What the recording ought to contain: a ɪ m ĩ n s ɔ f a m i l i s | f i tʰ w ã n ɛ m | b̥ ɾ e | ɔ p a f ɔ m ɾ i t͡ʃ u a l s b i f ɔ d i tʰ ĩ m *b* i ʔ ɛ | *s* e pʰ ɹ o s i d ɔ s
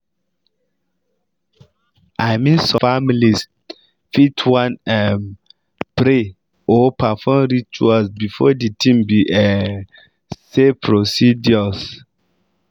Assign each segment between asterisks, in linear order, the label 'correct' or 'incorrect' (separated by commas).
correct, correct